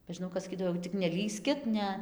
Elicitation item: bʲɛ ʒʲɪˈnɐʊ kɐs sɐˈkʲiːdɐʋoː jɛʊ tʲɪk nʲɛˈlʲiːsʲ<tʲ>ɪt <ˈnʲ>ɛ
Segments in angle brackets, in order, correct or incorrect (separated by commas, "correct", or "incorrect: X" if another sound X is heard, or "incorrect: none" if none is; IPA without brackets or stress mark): incorrect: kʲ, correct